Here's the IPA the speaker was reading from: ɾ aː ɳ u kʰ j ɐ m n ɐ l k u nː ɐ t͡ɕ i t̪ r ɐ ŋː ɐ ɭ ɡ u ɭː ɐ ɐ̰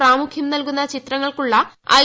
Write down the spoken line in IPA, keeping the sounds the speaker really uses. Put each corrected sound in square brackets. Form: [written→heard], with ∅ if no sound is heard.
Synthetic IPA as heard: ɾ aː [ɳ→m] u kʰ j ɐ m n ɐ l k u nː ɐ t͡ɕ i t̪ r ɐ ŋː ɐ ɭ [ɡ→k] u ɭː ɐ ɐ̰